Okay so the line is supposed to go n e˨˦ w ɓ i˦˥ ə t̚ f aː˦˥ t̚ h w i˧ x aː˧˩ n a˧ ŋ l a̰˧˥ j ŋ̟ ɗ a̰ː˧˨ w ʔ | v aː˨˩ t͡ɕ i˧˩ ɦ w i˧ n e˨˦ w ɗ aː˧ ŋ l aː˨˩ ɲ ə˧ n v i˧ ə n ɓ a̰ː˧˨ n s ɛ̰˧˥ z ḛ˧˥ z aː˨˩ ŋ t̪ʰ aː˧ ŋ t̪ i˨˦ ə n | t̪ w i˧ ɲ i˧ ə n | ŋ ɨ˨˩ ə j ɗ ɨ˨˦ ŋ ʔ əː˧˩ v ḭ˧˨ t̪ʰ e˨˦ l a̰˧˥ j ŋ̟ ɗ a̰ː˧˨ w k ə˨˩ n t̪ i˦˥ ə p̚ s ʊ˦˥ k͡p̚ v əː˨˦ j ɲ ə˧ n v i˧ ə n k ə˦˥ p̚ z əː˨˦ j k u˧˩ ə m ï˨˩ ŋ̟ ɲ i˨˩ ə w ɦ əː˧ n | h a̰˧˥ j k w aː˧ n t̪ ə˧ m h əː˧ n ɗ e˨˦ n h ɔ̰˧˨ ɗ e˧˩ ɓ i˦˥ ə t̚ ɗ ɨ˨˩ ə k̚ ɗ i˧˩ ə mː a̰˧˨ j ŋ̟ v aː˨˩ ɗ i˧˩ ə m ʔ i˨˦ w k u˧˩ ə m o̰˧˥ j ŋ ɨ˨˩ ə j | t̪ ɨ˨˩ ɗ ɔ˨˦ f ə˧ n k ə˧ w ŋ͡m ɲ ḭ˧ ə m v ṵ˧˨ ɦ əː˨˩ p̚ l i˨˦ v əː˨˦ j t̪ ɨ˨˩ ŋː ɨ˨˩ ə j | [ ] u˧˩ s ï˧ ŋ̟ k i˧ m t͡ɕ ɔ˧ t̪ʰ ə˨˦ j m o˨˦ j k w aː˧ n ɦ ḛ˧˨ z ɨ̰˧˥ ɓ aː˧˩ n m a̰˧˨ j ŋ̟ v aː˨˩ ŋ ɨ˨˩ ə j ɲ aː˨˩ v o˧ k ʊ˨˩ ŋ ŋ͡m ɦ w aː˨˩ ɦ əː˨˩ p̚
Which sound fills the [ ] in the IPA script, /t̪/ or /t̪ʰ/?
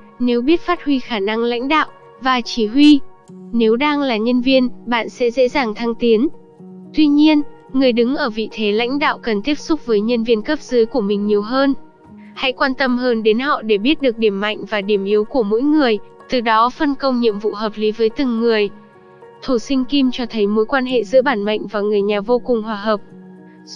t̪ʰ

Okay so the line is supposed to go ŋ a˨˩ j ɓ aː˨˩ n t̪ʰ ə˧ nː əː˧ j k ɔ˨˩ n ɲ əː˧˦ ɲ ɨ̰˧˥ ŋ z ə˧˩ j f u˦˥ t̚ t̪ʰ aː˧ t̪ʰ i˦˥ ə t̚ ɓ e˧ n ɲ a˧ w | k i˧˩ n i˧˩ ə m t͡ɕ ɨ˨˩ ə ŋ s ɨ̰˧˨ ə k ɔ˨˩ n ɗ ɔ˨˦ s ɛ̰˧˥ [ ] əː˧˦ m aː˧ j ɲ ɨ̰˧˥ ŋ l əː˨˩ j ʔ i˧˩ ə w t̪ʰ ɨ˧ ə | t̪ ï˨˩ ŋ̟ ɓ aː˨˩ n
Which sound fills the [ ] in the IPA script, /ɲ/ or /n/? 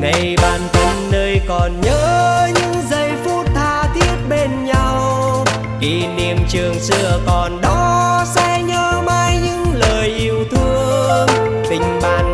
ɲ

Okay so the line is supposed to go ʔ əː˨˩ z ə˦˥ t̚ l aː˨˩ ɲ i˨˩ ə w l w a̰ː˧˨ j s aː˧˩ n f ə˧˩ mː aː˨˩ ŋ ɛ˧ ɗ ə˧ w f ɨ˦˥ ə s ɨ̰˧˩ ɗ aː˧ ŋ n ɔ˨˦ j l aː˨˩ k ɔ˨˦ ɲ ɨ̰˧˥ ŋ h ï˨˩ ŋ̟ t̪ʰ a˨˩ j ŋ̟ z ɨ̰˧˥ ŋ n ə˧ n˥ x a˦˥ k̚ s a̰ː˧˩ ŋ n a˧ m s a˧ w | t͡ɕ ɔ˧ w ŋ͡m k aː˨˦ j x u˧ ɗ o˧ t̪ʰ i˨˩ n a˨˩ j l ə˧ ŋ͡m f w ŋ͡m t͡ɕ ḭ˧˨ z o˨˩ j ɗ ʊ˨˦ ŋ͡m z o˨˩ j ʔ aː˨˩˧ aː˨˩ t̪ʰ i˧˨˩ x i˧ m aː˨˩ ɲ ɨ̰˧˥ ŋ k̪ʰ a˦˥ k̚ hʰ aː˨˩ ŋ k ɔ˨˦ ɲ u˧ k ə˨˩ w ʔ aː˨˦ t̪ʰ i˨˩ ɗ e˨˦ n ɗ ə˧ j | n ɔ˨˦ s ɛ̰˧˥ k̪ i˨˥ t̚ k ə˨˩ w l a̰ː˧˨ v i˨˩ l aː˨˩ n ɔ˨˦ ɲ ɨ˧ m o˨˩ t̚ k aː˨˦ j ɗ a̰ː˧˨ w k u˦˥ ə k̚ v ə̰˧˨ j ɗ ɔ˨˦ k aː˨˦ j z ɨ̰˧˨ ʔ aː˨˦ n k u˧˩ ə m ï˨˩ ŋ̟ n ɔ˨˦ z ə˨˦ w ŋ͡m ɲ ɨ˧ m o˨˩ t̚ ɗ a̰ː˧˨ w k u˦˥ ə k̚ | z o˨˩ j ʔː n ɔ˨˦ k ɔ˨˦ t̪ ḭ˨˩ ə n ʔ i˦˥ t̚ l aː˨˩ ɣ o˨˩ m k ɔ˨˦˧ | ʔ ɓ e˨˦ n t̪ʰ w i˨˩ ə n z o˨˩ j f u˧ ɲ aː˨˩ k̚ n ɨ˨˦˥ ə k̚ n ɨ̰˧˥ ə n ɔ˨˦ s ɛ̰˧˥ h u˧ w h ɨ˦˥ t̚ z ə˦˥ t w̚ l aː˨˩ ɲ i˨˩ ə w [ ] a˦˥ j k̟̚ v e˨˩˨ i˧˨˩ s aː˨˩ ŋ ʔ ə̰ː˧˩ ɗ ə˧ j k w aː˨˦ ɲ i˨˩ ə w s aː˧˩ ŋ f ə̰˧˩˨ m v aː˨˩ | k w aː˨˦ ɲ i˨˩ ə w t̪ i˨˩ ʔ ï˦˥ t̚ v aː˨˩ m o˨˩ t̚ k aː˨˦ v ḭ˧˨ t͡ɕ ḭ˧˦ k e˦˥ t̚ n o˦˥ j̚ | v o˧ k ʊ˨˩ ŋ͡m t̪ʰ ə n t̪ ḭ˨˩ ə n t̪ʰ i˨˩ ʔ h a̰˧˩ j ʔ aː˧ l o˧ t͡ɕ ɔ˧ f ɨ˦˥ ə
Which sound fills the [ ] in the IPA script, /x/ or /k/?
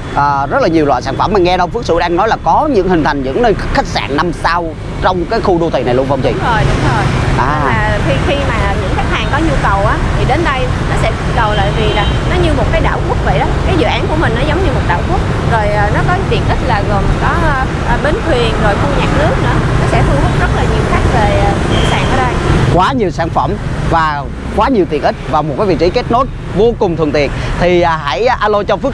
x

